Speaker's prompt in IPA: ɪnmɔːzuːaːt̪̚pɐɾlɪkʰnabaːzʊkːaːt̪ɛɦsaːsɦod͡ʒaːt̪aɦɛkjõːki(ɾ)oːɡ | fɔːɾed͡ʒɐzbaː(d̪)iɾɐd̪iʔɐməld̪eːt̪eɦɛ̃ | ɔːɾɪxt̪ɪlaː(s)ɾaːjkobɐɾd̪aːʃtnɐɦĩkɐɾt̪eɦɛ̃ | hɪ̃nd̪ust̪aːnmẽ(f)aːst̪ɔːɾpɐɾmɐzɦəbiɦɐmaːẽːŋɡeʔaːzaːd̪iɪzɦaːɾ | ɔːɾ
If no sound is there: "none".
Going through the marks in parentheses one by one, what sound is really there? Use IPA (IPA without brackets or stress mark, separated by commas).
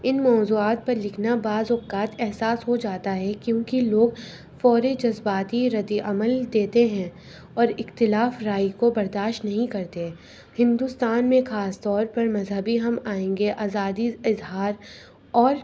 l, t̪, f, x